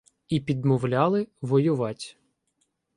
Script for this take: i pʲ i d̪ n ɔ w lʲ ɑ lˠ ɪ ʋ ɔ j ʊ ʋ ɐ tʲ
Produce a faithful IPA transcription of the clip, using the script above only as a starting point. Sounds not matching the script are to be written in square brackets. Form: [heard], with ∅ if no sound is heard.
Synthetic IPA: i pʲ i d̪ [m] ɔ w lʲ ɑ lˠ ɪ ʋ ɔ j ʊ ʋ [ɑ] tʲ